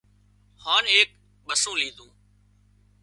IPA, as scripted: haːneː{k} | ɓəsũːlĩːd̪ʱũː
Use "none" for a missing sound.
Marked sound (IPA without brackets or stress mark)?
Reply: k